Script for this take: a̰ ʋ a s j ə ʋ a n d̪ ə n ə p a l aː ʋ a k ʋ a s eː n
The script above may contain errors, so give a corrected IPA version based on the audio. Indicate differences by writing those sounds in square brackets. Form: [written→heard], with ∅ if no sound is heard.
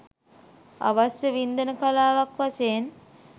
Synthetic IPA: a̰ ʋ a s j ə ʋ [a→i] n d̪ ə n ə [p→k] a l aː ʋ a k ʋ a s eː n